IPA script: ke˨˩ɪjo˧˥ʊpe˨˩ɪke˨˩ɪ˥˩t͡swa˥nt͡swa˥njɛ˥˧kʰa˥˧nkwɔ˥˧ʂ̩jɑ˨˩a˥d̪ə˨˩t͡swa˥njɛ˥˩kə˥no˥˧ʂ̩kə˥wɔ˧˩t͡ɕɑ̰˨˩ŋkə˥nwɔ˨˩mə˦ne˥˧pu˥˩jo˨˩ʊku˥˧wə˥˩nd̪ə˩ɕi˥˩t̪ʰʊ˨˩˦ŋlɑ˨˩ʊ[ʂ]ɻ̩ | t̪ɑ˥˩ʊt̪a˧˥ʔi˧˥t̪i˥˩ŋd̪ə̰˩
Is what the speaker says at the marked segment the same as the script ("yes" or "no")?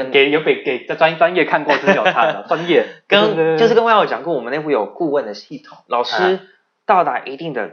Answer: yes